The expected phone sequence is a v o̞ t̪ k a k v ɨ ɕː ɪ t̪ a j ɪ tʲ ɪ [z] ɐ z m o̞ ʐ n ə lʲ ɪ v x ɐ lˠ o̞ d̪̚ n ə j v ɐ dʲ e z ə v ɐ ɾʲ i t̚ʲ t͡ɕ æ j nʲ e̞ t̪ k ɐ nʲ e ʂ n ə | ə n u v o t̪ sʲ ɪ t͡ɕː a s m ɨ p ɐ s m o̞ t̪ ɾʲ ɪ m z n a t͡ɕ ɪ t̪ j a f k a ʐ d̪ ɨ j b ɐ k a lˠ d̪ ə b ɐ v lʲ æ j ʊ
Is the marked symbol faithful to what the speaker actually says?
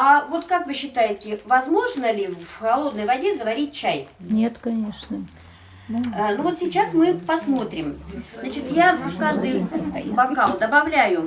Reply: no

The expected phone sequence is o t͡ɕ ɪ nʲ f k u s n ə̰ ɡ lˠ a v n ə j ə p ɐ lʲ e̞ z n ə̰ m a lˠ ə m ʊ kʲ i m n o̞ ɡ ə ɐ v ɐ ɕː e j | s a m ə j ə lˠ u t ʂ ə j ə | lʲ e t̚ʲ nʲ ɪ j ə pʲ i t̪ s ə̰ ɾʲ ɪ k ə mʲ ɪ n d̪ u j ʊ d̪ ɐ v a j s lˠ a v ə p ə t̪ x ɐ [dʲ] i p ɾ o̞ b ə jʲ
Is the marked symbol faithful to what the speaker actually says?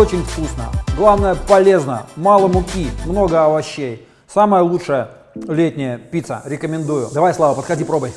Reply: yes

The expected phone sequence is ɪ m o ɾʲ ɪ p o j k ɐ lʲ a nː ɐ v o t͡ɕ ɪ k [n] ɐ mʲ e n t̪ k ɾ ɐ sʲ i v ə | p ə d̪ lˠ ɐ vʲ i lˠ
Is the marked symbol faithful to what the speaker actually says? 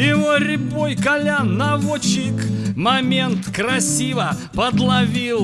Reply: no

